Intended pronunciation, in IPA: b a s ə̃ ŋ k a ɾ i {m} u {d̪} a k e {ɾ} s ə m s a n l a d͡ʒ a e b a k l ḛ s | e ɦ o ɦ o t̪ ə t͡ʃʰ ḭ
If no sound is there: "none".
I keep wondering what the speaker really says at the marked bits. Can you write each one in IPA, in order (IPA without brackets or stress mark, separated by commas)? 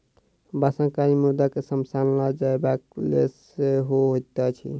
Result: m, d̪, none